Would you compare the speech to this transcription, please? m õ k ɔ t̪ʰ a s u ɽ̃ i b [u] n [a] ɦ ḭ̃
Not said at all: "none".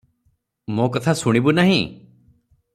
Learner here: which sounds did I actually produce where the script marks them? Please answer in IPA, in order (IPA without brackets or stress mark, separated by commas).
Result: u, a